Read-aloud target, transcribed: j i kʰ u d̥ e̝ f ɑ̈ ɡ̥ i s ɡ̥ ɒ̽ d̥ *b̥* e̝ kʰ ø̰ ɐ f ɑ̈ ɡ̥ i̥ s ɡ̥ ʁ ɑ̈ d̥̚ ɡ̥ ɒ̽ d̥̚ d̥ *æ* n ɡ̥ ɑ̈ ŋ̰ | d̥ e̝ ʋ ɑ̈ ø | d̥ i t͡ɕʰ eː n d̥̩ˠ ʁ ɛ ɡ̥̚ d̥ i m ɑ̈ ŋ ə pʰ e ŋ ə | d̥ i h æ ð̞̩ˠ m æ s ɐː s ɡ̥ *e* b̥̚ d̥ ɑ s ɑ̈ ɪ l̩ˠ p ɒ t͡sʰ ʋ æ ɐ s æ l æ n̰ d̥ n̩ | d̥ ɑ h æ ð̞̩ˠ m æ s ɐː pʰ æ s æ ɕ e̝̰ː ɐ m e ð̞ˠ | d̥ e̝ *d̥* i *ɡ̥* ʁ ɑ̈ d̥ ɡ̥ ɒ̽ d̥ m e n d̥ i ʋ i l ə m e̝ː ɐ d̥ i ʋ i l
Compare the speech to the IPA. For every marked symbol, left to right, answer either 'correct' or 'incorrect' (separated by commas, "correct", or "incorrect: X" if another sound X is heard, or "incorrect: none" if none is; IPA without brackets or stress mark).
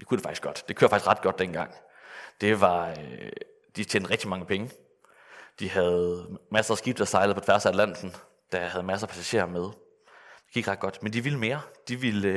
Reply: incorrect: d̥, incorrect: e, incorrect: i, incorrect: ɡ̥, correct